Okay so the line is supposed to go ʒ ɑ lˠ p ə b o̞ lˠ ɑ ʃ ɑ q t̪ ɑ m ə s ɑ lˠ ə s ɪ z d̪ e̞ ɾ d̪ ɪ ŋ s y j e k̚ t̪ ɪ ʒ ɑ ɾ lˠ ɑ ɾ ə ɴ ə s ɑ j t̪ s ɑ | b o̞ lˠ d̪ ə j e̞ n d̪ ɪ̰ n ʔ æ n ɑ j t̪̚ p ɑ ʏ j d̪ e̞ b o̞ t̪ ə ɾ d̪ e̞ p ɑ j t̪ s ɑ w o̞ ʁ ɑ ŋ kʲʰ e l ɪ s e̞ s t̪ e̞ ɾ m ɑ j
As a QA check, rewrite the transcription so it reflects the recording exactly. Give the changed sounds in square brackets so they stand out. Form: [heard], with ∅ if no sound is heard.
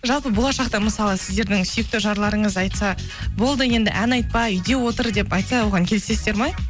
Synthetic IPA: ʒ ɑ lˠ p ə b o̞ lˠ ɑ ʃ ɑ q t̪ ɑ m ə s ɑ lˠ ə s ɪ z d̪ e̞ ɾ d̪ ɪ ŋ s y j e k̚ t̪ ɪ ʒ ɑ ɾ lˠ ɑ ɾ ə ɴ ə [z] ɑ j t̪ s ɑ | b o̞ lˠ d̪ ə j e̞ n d̪ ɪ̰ [∅] ʔ æ n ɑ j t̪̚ p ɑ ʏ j d̪ e̞ [w] o̞ t̪ ə ɾ d̪ e̞ p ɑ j t̪ s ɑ w o̞ ʁ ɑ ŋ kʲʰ e l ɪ s e̞ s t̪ e̞ ɾ m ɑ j